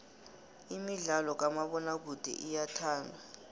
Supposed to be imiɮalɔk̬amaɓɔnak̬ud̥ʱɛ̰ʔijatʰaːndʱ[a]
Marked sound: correct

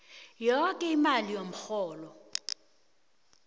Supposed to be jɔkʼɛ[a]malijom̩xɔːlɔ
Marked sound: incorrect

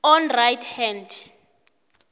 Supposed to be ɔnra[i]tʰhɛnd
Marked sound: incorrect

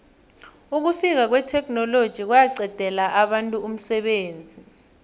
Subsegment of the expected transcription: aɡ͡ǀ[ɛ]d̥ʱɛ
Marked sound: correct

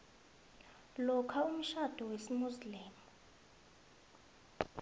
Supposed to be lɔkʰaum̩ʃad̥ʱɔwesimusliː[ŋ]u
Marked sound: incorrect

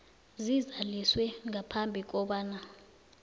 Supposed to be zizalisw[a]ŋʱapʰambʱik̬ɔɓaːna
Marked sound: incorrect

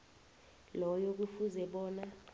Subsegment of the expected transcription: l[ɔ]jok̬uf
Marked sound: correct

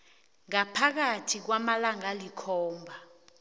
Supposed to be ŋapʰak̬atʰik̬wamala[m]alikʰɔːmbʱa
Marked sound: incorrect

